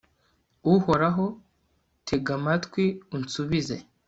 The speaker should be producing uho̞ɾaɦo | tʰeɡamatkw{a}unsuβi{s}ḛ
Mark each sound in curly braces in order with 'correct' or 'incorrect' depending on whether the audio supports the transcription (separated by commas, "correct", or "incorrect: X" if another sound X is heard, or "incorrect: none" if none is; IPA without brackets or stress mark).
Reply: incorrect: i, incorrect: z